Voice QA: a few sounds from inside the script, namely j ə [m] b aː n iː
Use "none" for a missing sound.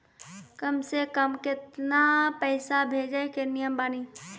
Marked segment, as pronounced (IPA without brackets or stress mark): m